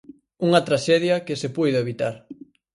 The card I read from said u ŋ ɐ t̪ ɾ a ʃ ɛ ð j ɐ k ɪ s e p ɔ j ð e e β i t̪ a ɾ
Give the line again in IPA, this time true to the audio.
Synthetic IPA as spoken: u ŋ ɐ t̪ ɾ a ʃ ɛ ð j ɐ k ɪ s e p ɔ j ð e e β i t̪ a ɾ